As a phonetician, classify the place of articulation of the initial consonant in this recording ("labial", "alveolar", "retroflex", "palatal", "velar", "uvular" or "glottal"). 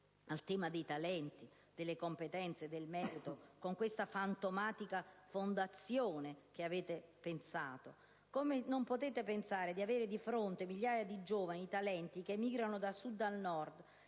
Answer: alveolar